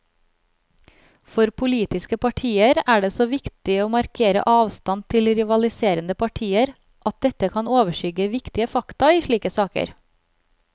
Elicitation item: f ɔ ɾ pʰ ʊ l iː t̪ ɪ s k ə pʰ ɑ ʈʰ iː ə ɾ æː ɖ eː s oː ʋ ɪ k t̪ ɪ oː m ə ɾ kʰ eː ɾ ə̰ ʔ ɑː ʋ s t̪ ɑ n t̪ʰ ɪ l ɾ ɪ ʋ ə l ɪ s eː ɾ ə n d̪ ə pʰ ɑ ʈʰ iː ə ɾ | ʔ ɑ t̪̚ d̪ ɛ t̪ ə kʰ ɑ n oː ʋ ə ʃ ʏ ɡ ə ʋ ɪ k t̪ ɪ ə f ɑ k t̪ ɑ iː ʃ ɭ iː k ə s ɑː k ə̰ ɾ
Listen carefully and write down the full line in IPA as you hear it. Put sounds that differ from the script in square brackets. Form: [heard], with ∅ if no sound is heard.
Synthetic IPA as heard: f ɔ ɾ pʰ ʊ l iː t̪ ɪ s k ə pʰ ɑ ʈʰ iː ə ɾ æː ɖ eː s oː ʋ ɪ k t̪ ɪ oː m [ɑ] ɾ kʰ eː ɾ ə̰ ʔ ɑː ʋ s t̪ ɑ n t̪ʰ ɪ l ɾ ɪ ʋ [ɑ] l ɪ s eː ɾ ə n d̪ ə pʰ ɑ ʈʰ iː ə ɾ | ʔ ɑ t̪̚ d̪ ɛ t̪ ə kʰ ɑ n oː ʋ ə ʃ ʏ ɡ ə ʋ ɪ k t̪ ɪ ə f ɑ k t̪ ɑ iː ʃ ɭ iː k ə s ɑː k ə̰ ɾ